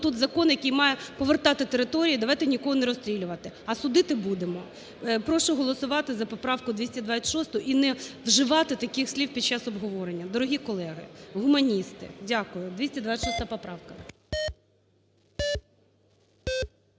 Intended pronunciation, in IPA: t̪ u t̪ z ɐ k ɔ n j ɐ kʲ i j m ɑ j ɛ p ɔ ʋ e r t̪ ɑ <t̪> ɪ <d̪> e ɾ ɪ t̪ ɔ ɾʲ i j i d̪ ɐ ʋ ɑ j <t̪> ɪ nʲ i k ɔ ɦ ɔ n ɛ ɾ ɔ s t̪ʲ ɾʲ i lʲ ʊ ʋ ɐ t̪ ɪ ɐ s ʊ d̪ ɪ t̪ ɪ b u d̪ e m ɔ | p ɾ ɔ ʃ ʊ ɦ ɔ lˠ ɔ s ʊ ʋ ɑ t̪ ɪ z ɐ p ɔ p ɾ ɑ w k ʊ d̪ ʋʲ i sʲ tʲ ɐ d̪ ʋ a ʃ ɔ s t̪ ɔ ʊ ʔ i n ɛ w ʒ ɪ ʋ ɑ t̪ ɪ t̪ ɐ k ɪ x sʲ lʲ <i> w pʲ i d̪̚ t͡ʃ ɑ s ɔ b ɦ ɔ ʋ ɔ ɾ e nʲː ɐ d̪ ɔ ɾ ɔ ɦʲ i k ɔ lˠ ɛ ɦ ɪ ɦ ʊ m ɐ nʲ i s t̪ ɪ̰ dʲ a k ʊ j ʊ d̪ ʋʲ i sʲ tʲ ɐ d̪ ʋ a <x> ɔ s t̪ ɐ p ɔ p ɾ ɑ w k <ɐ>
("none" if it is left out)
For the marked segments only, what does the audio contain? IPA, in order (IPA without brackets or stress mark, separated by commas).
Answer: t̪, t̪, t̪, i, ʃ, ɐ